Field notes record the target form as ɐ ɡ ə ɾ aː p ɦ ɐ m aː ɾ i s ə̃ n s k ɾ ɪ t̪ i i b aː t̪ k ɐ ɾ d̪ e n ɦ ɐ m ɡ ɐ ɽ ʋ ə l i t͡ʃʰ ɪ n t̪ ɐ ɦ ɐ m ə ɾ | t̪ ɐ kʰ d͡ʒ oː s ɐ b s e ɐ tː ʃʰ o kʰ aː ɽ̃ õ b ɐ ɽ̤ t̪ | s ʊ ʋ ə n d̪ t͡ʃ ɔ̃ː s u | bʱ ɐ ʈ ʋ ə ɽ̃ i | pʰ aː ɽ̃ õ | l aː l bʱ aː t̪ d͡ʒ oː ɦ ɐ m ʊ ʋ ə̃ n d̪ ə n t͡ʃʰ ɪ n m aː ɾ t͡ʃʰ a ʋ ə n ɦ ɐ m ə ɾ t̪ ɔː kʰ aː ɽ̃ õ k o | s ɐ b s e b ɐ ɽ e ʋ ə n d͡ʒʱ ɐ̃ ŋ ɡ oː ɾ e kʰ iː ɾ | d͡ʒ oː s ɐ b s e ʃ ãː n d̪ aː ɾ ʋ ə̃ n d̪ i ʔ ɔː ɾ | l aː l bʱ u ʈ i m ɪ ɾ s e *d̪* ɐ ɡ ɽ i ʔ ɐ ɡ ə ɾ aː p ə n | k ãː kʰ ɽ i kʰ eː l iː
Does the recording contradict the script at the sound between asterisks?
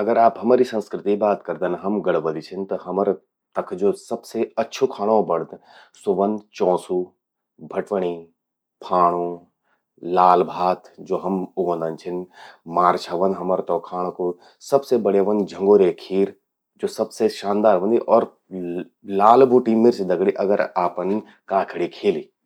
no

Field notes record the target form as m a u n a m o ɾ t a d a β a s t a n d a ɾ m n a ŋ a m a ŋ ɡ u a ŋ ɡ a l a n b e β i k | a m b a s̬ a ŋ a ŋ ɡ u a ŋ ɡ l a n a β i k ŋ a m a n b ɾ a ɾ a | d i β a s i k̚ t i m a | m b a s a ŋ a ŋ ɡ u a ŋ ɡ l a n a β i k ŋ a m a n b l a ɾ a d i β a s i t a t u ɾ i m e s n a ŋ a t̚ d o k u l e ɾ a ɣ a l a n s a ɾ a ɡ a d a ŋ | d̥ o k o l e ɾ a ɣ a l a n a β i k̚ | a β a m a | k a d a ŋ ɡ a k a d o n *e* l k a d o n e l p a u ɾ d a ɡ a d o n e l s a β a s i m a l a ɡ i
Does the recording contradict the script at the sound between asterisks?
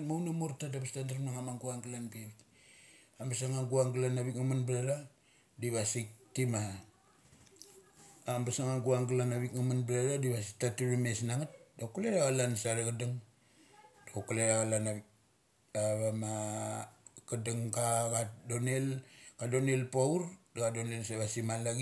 no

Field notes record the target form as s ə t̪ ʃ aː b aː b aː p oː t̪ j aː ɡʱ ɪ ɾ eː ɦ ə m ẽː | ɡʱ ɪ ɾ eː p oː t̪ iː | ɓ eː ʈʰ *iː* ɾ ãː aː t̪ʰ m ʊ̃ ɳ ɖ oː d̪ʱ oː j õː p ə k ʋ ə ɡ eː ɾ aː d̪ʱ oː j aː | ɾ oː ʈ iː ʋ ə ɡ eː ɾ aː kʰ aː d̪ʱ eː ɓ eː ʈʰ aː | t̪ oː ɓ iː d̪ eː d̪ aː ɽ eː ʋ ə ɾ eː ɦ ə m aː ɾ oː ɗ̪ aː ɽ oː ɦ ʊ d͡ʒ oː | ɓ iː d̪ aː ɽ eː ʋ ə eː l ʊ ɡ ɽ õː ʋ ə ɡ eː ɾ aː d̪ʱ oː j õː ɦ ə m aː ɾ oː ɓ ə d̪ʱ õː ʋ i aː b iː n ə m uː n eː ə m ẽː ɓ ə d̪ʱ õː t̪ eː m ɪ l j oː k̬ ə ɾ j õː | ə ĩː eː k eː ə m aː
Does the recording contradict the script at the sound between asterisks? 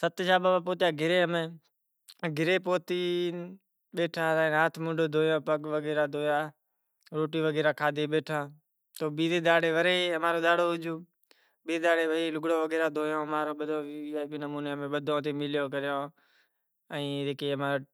yes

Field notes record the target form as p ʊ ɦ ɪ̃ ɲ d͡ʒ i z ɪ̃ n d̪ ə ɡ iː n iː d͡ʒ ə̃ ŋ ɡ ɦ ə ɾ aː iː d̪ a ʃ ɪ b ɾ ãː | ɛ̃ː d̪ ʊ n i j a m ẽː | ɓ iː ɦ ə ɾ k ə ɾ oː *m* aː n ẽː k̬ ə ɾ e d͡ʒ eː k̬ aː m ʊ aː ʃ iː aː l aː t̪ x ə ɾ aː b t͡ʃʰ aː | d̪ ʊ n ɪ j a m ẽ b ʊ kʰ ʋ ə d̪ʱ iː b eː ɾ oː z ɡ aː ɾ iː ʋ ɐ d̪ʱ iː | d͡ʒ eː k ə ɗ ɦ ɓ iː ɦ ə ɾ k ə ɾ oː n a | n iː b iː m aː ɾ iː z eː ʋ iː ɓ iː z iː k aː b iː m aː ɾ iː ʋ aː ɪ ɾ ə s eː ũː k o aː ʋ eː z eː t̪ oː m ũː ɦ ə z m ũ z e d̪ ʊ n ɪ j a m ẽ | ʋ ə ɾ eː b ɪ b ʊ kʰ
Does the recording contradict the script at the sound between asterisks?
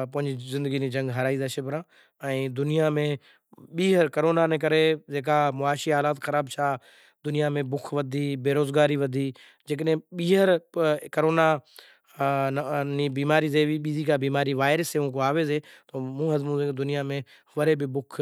yes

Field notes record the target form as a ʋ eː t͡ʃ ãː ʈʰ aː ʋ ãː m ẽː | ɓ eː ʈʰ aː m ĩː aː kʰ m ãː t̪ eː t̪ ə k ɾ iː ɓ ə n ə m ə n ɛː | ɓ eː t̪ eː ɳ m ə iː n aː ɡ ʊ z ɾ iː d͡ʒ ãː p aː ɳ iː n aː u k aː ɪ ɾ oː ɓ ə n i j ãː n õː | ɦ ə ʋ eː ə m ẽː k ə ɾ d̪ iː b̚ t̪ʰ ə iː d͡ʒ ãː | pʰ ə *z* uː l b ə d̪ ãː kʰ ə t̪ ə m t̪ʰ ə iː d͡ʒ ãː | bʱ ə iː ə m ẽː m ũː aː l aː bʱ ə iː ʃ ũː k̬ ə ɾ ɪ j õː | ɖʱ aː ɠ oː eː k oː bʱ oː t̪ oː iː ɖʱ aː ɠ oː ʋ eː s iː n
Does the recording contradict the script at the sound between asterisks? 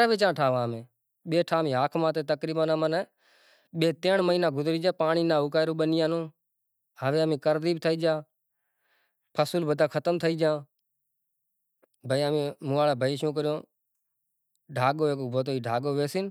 yes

